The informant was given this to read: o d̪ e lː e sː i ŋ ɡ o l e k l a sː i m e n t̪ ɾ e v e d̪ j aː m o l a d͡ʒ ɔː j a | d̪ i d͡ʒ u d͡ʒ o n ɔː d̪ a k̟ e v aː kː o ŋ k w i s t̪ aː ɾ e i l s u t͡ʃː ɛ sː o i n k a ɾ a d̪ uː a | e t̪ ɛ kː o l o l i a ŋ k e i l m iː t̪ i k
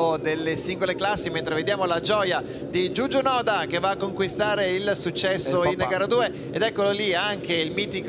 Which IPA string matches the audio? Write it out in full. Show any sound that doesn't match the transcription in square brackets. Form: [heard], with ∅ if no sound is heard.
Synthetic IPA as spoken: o d̪ e lː e [s] i ŋ ɡ o l e k l a sː i m e n t̪ ɾ e v e d̪ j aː m o l a d͡ʒ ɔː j a | d̪ i d͡ʒ u d͡ʒ o n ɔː d̪ a k̟ e v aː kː o ŋ k w i s t̪ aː ɾ e i l s u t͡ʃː ɛ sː o i n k a ɾ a d̪ uː [e] | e [d̪] ɛ kː o l o l i a ŋ k e i l m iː t̪ i k